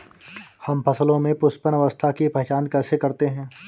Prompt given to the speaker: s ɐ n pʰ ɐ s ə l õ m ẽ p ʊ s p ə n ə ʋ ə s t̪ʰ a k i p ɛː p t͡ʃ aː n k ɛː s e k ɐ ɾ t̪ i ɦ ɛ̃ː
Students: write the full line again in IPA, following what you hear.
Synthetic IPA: h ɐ m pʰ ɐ s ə l õ m ẽ p ʊ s p ə n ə ʋ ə s t̪ʰ a k i p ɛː t͡ʃ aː n k ɛː s e k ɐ ɾ t̪ e ɦ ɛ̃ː